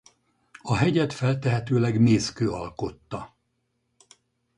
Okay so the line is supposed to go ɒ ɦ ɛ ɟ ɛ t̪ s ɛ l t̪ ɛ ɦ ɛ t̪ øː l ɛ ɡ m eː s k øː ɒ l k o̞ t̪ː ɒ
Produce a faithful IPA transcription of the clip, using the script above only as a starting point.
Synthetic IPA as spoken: ɒ ɦ ɛ ɟ ɛ t̪ f ɛ l t̪ ɛ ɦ ɛ t̪ øː l ɛ ɡ m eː s k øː ɒ l k o̞ t̪ː ɒ